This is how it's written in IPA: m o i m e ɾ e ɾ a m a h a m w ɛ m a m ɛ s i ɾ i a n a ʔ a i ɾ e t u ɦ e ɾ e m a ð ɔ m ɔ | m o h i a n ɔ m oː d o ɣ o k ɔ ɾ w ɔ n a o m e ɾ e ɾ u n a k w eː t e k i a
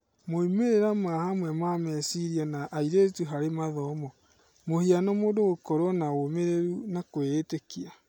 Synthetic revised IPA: m o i m e ɾ e ɾ a m a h a m w ɛ m a m ɛ s i ɾ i a n a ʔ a i ɾ e t u ɦ a ɾ e m a ð ɔ m ɔ | m o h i a n ɔ m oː d o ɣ o k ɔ ɾ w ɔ n a o m e ɾ e ɾ u n a k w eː t e k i a